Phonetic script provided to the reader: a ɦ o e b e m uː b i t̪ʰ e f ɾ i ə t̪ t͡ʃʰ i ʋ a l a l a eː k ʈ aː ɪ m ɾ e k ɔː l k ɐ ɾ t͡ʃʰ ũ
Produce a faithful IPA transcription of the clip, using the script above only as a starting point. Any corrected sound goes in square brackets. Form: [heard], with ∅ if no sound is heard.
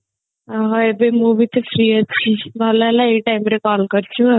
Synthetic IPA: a ɦ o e b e m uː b i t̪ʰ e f ɾ i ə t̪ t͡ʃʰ i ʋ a l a l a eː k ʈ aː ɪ m ɾ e k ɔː l k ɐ ɾ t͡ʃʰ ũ

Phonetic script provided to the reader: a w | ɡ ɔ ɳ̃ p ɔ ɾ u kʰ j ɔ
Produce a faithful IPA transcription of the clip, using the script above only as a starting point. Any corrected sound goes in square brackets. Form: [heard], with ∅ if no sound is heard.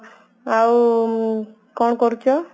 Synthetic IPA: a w | [k] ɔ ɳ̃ [k] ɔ ɾ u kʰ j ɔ

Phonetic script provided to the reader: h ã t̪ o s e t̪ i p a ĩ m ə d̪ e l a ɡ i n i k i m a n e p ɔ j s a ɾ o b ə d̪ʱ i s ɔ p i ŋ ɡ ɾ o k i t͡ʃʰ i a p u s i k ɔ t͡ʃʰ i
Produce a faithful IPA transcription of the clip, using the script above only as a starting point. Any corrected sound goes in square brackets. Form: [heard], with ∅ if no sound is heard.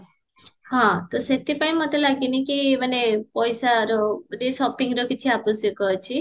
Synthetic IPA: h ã t̪ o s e t̪ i p a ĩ m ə [t̪] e l a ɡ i n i k i m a n e p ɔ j s a ɾ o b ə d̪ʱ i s ɔ p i ŋ ɡ ɾ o k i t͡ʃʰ i a p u s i k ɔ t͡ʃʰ i

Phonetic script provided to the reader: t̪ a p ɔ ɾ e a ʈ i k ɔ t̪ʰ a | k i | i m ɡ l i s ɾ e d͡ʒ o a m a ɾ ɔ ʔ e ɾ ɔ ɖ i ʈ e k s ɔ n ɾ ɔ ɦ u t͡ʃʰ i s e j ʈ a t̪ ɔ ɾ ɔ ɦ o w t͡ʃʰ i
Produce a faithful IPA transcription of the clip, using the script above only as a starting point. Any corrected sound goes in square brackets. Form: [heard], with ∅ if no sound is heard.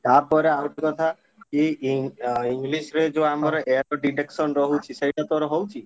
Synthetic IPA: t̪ a p ɔ ɾ e a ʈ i k ɔ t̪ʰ a | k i | i [ŋ] ɡ l i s ɾ e d͡ʒ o a m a ɾ ɔ ʔ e ɾ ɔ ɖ i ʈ e k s ɔ n ɾ ɔ ɦ u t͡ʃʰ i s e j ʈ a t̪ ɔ ɾ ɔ ɦ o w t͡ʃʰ i

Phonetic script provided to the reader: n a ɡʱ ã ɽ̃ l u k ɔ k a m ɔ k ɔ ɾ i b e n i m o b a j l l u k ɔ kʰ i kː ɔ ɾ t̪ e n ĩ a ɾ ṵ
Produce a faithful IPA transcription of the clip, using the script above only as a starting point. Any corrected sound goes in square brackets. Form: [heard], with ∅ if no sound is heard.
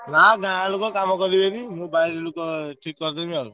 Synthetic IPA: n a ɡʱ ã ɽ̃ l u k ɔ k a m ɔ k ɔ ɾ i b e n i m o b a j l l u k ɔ [ʈʰ] i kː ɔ ɾ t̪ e [m] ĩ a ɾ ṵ

